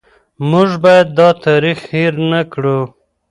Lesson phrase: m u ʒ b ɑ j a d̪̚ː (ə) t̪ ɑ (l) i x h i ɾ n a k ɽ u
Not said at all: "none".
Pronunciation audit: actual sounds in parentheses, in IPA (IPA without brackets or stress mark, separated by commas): ɑ, ɾ